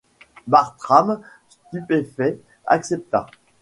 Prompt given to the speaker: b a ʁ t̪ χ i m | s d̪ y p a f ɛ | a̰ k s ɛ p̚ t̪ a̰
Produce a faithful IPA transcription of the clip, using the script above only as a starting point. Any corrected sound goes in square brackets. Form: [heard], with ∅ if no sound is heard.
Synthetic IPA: b a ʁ t̪ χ [a] m | s [t̪] y p [e] f ɛ | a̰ k s ɛ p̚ t̪ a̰